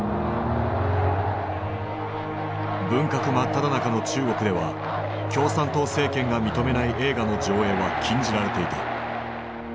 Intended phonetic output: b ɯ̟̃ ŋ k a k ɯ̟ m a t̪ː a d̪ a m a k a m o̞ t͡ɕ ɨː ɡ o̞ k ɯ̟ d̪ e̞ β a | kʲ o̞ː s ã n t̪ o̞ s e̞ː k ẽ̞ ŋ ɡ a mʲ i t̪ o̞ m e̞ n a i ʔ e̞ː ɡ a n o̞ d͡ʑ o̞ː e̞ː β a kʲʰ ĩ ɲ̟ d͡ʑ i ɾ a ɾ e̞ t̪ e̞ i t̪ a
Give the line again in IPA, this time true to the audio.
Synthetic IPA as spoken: b ɯ̟̃ ŋ k a k ɯ̟ m a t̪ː a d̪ a n a k a n o̞ t͡ɕ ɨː ɡ o̞ k ɯ̟ d̪ e̞ β a | kʲ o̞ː s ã n t̪ o̞ s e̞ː k ẽ̞ ŋ ɡ a mʲ i t̪ o̞ m e̞ n a i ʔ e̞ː ɡ a n o̞ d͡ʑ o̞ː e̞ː β a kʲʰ ĩ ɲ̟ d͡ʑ i ɾ a ɾ e̞ t̪ e̞ i t̪ a